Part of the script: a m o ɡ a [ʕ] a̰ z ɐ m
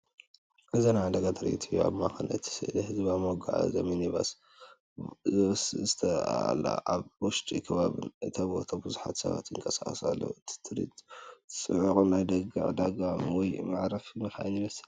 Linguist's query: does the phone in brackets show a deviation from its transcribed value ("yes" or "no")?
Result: no